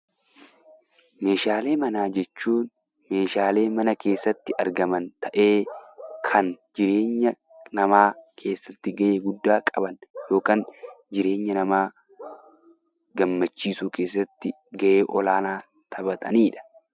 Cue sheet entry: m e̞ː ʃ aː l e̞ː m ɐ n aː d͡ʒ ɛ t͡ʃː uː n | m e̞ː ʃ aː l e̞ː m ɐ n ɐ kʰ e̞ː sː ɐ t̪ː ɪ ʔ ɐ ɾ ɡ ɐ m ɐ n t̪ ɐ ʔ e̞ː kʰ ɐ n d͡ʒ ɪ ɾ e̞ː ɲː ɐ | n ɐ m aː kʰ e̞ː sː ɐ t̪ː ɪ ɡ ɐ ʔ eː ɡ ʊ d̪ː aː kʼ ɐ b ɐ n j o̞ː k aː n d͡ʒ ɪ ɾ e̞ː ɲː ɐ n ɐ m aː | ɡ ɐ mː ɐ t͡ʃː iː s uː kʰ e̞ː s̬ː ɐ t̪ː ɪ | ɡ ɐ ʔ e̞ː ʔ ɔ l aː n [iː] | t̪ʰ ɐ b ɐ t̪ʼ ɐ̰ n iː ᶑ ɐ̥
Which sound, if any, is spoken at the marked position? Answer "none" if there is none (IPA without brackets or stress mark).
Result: aː